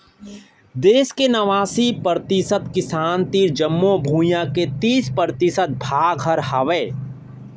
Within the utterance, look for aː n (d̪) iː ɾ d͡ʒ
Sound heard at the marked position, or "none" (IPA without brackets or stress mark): t̪